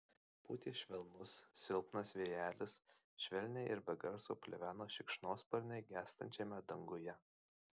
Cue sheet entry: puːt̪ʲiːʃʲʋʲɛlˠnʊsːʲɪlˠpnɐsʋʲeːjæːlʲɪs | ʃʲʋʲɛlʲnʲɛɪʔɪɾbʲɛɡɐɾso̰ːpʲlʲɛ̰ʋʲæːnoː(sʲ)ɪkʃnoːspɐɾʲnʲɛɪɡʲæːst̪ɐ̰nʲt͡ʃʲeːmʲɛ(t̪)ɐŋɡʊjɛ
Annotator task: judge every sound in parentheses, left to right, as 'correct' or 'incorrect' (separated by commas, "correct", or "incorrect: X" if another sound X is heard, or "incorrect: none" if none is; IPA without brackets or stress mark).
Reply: incorrect: ʃʲ, incorrect: d̪